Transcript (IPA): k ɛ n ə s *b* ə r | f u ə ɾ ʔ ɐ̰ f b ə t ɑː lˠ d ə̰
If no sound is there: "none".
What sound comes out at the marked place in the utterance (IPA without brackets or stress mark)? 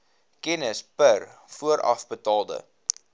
p